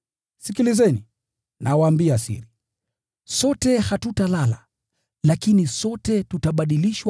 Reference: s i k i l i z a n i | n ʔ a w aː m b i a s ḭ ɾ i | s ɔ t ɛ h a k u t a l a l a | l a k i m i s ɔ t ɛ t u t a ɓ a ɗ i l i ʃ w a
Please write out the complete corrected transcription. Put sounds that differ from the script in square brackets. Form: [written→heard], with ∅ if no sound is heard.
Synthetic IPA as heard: s i k i l i z [a→ɛ] n i | n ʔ a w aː m b i a s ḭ ɾ i | s ɔ t ɛ h a [k→t] u t a l a l a | l a k i [m→n] i s ɔ t ɛ t u t a ɓ a ɗ i l i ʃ w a